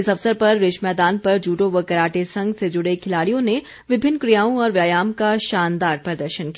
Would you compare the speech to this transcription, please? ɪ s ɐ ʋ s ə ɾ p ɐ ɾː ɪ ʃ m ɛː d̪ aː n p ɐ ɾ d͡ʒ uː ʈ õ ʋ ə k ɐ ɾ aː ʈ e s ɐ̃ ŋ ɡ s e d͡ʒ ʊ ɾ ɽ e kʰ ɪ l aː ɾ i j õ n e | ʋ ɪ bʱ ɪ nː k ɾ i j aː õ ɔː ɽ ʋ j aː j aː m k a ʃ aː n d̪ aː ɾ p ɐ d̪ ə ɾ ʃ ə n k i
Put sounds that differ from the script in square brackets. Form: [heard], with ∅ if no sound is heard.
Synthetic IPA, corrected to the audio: ɪ s ɐ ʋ s ə ɾ p ɐ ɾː ɪ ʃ m ɛː d̪ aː n p ɐ ɾ d͡ʒ uː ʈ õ ʋ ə k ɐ ɾ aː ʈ e s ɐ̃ ŋ ɡ s e d͡ʒ ʊ [∅] ɽ e kʰ ɪ l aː [ɽ] i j õ n e | ʋ ɪ bʱ ɪ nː k ɾ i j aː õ ɔː [ɾ] ʋ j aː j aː m k a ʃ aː n d̪ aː ɾ p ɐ d̪ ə ɾ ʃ ə n k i